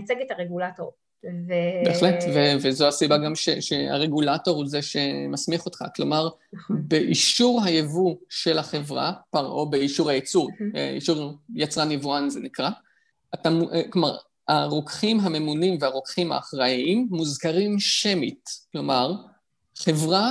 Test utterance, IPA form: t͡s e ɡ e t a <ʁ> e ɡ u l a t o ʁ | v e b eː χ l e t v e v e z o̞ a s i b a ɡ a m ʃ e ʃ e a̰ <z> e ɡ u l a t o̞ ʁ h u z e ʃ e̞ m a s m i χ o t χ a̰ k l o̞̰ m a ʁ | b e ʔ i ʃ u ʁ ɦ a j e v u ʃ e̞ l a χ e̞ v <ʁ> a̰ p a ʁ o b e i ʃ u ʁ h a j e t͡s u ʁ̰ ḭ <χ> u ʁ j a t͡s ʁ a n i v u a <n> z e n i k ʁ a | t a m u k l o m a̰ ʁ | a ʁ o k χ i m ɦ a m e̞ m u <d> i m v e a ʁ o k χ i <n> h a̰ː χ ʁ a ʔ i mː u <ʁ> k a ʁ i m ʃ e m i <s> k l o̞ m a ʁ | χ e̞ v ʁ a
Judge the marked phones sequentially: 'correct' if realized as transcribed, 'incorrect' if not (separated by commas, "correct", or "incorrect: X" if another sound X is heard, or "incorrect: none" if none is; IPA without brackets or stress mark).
correct, incorrect: ʁ, correct, incorrect: ʃ, correct, incorrect: n, incorrect: m, incorrect: z, incorrect: t